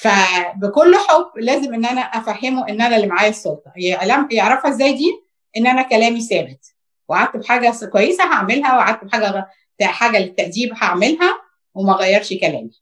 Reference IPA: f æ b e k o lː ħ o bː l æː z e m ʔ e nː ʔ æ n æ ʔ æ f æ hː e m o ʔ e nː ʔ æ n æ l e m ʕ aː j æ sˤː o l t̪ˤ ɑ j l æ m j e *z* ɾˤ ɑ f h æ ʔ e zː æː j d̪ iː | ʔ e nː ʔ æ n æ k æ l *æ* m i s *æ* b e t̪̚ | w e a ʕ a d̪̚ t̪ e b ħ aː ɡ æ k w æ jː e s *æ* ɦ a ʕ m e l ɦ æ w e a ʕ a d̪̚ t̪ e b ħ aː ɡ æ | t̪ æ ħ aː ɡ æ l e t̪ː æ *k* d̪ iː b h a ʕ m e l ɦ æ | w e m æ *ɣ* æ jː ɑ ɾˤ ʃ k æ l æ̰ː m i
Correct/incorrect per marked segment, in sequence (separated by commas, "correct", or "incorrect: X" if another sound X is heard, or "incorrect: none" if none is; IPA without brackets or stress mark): incorrect: ʕ, incorrect: æː, incorrect: æː, correct, incorrect: ʔ, correct